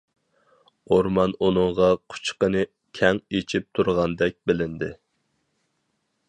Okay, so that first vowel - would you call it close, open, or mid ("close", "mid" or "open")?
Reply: mid